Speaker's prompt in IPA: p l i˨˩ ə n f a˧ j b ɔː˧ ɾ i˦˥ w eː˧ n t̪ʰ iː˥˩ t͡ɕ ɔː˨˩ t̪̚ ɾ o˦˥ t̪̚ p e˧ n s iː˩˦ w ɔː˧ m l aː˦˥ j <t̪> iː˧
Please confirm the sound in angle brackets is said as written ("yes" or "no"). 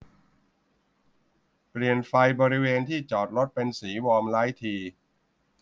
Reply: no